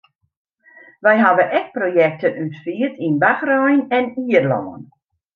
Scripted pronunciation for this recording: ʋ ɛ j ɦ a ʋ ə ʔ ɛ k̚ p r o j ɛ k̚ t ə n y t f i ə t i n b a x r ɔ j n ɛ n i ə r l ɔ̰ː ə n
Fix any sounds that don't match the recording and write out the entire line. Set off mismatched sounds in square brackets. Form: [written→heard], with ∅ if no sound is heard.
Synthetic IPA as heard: ʋ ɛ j ɦ a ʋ ə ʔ ɛ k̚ p r o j ɛ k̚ t ə n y t f i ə t i n b a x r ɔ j n ɛ n i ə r l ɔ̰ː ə n